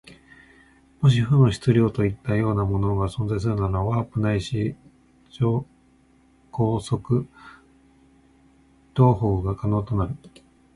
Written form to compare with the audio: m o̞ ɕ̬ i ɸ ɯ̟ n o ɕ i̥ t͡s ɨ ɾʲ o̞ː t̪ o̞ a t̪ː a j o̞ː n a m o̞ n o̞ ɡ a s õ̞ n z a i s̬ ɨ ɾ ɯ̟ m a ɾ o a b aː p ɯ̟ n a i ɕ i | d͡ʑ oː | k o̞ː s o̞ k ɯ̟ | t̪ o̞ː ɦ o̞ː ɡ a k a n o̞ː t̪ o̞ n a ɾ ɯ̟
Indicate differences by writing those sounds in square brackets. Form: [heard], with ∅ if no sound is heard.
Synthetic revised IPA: m o̞ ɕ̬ i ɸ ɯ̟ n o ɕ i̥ t͡s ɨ ɾʲ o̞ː t̪ o̞ [i] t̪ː a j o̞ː n a m o̞ n o̞ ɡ a s õ̞ n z a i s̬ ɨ ɾ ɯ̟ [n] a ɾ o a [β] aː p ɯ̟ n a i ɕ i | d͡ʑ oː | k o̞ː s o̞ k ɯ̟ | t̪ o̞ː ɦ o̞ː ɡ a k a n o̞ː t̪ o̞ n a ɾ ɯ̟